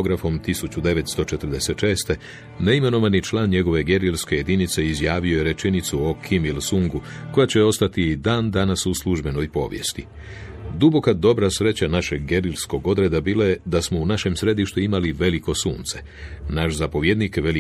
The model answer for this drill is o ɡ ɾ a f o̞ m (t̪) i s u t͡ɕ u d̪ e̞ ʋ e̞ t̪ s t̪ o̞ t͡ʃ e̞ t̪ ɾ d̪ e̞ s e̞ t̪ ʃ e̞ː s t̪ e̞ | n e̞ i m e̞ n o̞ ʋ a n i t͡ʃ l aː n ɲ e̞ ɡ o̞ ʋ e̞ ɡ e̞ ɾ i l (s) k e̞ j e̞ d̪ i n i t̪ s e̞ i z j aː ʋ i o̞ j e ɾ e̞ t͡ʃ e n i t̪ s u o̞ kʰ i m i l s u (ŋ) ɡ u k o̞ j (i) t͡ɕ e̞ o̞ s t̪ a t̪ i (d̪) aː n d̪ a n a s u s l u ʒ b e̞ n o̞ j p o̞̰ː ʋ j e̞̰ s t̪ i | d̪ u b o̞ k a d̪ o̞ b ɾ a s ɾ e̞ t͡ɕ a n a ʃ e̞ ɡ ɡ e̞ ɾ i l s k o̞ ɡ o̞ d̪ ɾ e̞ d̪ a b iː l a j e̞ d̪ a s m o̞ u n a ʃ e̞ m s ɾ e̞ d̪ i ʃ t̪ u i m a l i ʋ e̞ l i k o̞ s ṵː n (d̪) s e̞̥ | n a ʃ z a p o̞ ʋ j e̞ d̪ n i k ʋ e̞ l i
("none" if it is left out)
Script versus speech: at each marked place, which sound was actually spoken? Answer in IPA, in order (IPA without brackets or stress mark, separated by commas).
t̪, s, ŋ, a, d̪, t̪